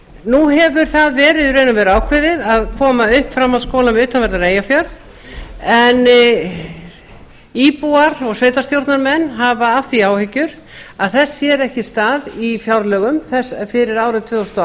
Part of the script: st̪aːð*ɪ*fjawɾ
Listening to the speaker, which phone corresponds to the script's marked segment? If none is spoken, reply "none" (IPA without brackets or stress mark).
i